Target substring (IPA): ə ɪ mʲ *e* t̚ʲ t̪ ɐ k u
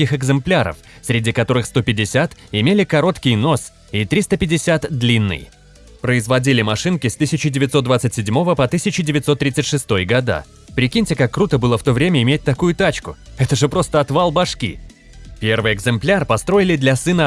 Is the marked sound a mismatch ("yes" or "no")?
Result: no